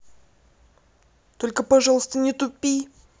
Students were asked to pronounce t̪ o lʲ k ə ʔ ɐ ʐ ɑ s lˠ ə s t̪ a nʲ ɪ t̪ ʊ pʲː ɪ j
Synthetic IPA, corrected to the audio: t̪ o lʲ k ə p ɐ ʐ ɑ lˠ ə s t̪ ə nʲ ɪ t̪ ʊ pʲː i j